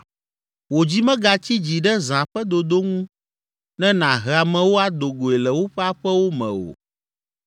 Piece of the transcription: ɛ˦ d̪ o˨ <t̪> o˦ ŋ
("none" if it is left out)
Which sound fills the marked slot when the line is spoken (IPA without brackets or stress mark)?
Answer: d̪